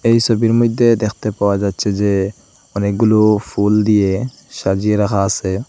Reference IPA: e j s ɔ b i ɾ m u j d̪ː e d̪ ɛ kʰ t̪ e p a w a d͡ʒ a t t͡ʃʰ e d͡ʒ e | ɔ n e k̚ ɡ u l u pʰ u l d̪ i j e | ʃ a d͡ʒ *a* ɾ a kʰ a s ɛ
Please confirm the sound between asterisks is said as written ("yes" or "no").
no